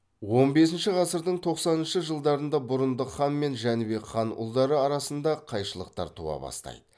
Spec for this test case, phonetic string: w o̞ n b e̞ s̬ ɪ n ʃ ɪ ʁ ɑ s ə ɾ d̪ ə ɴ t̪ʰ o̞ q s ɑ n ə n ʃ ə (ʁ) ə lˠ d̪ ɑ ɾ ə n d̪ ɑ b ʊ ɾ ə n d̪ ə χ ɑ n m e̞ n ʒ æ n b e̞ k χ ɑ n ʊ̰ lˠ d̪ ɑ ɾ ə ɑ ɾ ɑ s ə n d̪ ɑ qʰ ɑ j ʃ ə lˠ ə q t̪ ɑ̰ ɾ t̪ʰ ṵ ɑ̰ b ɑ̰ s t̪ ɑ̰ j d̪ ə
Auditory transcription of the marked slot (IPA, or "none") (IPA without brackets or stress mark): ʒ